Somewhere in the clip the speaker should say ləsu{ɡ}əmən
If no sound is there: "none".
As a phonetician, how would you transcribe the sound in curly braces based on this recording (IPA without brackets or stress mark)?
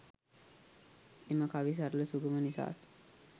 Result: ɡ